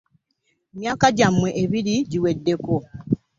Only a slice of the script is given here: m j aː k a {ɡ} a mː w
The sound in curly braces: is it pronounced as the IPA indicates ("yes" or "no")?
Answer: no